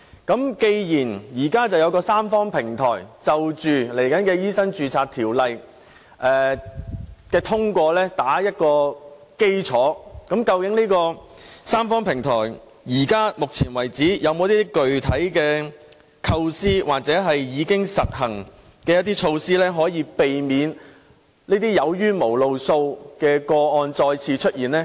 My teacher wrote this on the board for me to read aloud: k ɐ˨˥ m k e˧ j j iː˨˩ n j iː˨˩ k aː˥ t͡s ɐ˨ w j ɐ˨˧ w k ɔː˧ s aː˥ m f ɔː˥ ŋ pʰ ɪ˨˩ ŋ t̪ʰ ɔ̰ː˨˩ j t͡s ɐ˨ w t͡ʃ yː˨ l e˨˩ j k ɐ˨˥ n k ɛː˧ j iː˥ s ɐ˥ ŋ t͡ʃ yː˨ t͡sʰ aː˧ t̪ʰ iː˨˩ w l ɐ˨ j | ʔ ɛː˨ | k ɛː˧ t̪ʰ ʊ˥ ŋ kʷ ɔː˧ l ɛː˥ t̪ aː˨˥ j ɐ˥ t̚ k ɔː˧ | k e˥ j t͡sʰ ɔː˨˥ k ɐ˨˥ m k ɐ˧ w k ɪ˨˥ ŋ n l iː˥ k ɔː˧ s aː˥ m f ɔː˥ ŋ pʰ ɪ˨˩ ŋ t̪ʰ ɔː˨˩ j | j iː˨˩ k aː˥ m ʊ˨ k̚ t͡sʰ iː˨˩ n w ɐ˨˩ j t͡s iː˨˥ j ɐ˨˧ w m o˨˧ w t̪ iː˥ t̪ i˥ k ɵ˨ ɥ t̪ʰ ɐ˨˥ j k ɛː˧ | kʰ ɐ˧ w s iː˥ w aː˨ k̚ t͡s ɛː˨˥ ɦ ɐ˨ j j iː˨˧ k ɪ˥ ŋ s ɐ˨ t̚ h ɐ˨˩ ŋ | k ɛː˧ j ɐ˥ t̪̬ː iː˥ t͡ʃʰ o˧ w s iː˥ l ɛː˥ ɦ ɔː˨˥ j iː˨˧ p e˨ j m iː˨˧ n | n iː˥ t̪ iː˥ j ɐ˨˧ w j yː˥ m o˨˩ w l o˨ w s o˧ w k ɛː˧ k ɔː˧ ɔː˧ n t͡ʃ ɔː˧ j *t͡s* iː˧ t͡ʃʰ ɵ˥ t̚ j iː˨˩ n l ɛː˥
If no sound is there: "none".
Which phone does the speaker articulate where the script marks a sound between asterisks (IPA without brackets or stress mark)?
t͡sʰ